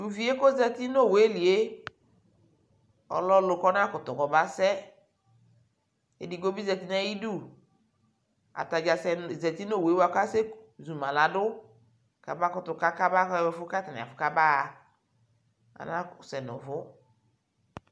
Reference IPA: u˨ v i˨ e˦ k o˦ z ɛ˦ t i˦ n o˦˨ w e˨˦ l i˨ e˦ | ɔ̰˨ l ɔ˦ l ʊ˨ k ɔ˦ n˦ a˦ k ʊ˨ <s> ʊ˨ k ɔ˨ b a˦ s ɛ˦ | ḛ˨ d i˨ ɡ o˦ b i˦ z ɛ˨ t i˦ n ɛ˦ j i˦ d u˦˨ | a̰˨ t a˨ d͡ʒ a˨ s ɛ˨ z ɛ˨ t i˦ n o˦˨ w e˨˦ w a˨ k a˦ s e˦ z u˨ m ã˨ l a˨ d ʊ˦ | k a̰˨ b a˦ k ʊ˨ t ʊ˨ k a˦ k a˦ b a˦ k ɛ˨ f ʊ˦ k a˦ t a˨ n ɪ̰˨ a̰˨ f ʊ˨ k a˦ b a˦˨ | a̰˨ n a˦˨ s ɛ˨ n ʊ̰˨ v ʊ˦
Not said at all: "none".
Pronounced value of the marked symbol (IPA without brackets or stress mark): t